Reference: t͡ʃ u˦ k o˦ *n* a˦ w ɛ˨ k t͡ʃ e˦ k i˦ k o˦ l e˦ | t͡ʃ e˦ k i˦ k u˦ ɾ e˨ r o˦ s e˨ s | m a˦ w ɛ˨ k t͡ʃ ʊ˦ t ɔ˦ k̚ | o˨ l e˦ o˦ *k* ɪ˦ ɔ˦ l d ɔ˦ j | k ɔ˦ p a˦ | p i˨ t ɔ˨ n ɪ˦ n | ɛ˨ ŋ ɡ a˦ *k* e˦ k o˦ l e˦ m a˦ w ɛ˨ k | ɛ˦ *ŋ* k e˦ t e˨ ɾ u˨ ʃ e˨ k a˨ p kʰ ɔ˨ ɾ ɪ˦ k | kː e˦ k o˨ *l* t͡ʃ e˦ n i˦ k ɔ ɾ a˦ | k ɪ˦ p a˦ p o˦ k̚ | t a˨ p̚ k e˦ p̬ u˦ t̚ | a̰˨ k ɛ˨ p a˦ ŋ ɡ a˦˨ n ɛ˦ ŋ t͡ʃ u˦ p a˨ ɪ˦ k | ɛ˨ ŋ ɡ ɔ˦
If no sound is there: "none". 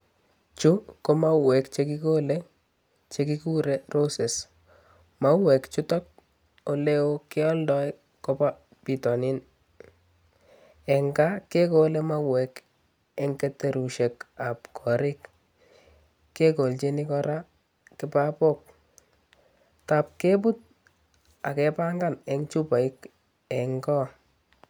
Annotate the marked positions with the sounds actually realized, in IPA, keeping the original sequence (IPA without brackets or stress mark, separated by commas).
m, k, k, ŋ, l